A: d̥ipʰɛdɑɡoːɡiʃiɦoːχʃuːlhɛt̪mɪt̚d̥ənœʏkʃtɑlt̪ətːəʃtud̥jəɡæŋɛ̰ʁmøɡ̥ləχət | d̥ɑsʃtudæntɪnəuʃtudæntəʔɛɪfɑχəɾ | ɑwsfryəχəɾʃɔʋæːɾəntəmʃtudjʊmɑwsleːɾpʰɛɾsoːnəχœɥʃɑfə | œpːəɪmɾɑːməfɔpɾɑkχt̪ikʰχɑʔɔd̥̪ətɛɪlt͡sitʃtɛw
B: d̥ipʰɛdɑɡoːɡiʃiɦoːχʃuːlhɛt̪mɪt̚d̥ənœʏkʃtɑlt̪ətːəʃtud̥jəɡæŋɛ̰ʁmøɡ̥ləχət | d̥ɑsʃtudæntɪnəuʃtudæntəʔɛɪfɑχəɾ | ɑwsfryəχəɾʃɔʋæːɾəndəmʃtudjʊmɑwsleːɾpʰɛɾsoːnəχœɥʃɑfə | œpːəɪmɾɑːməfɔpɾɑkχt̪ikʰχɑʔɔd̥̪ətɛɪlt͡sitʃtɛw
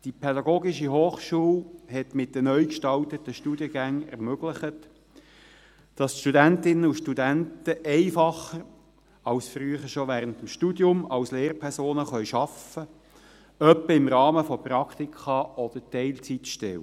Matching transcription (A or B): A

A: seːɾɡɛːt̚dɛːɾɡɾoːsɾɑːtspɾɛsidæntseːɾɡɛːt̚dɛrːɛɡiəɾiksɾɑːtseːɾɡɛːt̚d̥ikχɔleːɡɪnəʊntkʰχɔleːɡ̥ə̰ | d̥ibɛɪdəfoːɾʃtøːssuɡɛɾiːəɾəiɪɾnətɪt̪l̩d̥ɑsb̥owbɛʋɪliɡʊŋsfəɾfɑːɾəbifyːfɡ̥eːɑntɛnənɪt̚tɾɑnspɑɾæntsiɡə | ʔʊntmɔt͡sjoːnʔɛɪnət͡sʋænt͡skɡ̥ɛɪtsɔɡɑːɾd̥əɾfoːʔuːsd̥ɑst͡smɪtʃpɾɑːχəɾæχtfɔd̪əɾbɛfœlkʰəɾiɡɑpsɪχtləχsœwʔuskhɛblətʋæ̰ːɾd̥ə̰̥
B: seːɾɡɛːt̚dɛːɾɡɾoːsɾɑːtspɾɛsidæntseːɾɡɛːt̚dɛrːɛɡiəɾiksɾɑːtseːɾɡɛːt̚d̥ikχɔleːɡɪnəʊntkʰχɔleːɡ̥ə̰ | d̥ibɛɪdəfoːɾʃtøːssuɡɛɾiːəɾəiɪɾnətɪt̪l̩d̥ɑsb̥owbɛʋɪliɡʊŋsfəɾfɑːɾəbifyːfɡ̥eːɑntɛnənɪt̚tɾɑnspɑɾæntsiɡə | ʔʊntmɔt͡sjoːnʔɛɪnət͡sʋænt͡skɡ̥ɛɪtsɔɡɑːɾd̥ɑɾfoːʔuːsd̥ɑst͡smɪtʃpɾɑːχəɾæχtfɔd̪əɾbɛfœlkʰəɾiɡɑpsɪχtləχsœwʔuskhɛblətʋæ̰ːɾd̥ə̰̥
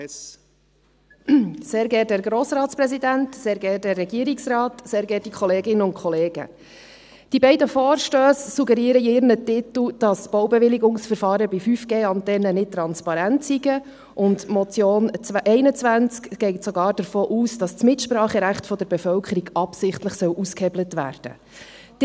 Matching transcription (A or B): A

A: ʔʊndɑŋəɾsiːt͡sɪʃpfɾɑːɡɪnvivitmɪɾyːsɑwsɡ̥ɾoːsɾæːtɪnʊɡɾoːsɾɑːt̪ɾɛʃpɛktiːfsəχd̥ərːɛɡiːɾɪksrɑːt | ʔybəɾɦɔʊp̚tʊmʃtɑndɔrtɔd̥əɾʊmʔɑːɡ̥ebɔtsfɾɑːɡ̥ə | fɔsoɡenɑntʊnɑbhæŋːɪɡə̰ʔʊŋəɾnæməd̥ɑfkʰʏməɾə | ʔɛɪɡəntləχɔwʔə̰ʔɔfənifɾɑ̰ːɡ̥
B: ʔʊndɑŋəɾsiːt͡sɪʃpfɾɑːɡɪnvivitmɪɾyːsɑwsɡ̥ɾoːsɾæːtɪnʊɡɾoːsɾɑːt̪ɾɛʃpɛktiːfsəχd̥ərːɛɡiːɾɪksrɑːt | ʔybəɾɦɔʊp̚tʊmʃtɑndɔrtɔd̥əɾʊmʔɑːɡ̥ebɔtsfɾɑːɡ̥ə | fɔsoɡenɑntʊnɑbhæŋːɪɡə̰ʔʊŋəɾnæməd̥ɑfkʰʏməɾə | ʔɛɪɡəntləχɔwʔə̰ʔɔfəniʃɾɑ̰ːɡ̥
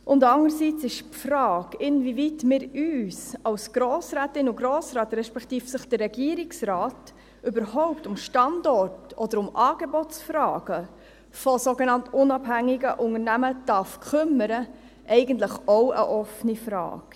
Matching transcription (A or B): A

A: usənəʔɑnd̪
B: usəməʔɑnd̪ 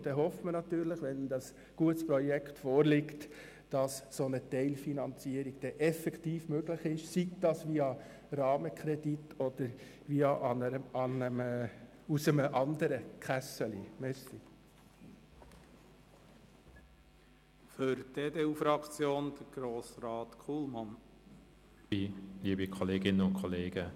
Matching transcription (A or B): B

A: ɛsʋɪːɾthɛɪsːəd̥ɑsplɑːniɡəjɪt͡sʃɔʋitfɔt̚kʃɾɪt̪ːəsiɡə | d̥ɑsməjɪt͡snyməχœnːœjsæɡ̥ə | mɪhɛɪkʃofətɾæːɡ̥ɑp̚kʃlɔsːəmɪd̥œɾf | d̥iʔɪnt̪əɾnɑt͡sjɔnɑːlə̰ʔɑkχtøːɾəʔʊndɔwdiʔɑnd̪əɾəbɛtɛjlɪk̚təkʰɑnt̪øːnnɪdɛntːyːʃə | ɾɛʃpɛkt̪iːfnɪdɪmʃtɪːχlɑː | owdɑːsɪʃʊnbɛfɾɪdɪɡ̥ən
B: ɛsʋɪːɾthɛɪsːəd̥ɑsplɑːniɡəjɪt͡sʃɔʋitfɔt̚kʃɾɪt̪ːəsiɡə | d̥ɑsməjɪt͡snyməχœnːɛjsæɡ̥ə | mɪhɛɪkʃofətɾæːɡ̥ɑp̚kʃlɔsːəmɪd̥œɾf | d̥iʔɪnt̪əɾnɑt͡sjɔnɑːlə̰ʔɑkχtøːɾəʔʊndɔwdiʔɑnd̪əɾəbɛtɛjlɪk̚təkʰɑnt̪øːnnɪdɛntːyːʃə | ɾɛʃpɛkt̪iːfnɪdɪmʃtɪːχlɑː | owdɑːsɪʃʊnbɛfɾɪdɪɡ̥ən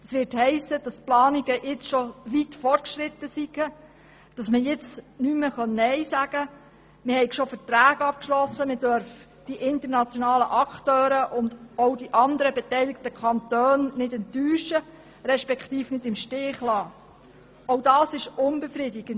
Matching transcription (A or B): B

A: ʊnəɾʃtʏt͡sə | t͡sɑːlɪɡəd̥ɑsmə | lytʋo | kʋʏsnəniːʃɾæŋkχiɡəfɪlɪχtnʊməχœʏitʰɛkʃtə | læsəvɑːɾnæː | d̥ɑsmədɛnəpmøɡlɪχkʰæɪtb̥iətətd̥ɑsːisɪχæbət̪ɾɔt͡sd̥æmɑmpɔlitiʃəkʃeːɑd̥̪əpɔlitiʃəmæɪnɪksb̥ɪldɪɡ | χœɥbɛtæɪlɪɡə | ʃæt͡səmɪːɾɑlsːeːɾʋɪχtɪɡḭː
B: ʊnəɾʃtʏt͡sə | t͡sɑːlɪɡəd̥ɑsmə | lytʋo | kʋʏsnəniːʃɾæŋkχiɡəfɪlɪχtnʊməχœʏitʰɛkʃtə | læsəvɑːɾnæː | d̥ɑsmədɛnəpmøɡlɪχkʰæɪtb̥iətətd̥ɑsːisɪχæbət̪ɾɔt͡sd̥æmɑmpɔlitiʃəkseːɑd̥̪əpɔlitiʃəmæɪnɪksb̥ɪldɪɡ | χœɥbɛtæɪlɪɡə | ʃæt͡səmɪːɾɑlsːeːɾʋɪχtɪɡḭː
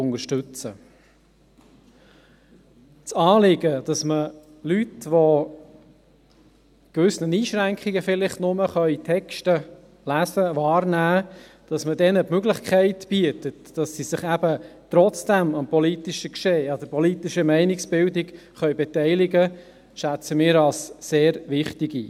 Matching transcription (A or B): A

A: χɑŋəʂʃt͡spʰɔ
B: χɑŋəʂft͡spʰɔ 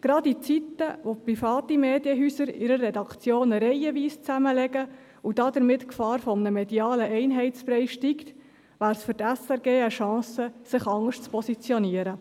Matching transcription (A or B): A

